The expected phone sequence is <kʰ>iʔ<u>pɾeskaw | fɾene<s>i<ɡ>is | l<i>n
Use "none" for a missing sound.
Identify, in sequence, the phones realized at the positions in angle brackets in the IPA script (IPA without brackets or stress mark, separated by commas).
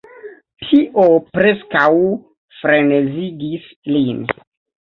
tʰ, o, z, ɡ, i